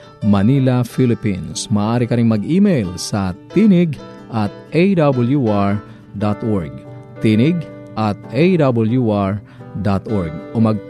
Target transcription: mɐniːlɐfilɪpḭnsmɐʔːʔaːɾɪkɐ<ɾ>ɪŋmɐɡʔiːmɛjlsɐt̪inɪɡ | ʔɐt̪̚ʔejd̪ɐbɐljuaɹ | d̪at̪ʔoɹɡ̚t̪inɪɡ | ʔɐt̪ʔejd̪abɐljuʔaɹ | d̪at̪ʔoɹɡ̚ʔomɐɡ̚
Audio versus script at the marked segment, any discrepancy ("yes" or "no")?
no